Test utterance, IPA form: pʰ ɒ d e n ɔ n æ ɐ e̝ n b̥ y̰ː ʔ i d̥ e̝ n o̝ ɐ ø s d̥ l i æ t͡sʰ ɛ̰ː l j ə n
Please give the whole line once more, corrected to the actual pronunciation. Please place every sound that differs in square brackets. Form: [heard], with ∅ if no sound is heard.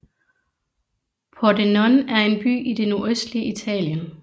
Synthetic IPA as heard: pʰ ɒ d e n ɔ n æ ɐ e̝ n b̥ y̰ː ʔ i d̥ e̝ n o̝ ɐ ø s d̥ l i [i] t͡sʰ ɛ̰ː l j ə n